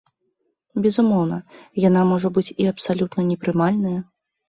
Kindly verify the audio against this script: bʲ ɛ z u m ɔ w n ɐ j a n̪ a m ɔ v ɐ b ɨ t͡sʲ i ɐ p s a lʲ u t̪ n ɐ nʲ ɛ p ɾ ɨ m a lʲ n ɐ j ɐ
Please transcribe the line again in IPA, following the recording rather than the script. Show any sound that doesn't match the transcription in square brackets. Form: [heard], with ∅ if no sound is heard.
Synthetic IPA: bʲ ɛ z u m ɔ w n ɐ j a n̪ a m ɔ [ʐ] ɐ b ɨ t͡sʲ i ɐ p s a lʲ u t̪ n ɐ nʲ ɛ p ɾ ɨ m a lʲ n ɐ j ɐ